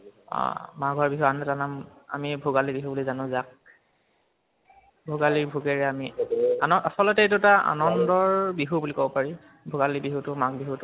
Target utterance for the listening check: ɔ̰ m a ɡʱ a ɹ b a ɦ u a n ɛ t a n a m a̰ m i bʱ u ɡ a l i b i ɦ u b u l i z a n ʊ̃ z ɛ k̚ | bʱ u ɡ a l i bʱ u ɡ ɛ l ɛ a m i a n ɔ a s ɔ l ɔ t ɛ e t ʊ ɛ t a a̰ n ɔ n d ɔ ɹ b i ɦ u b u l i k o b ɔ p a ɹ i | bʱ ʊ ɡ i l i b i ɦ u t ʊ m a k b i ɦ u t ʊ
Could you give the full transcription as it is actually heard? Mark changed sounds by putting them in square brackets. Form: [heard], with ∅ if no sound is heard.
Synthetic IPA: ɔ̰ m a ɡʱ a ɹ b [i] ɦ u a n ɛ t a n a m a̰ m i bʱ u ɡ a l i b i ɦ u b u l i z a n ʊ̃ z [a] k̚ | bʱ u ɡ a l i bʱ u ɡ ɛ [ɹ] ɛ a m i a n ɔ a s ɔ l ɔ t ɛ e t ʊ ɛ t a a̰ n ɔ n d ɔ ɹ b i ɦ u b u l i k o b ɔ p a ɹ i | bʱ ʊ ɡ [a] l i b i ɦ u t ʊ m a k b i ɦ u t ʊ